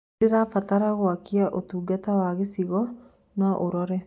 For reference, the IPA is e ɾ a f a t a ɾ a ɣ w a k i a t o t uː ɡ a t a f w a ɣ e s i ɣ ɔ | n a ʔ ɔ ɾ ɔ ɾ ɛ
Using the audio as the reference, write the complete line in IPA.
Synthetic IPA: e ɾ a f a t a ɾ a ɣ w a k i a ʔ o t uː ɡ a t a w a ɣ e s i ɣ ɔ | n a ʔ o ɾ ɔ ɾ ɛ